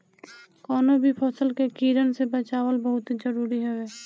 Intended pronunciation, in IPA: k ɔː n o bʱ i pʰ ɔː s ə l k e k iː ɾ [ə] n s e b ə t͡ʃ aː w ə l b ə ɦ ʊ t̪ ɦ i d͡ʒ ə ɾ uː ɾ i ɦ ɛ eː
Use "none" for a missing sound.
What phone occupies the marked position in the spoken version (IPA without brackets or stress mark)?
ə